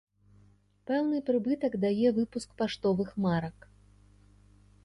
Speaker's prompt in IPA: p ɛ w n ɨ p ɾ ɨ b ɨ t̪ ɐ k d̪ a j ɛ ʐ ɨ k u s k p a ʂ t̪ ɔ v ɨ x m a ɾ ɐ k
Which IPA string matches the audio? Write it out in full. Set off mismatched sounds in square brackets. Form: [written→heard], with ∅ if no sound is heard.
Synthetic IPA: p ɛ w n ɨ p ɾ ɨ b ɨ t̪ ɐ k d̪ a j ɛ [ʐ→v] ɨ [k→p] u s k p a ʂ t̪ ɔ v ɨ x m a ɾ ɐ k